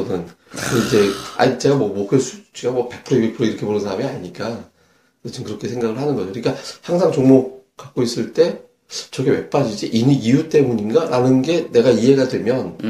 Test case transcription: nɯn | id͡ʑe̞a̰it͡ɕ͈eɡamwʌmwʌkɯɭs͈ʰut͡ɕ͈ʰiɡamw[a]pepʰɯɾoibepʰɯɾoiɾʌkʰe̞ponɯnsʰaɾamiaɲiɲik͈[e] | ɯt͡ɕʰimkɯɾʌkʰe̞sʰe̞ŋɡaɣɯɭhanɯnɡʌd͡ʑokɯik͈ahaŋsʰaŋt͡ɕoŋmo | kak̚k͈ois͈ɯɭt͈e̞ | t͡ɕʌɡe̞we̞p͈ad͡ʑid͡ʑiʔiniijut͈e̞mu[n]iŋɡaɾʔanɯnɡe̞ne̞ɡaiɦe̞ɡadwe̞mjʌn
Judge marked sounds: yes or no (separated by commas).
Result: no, no, no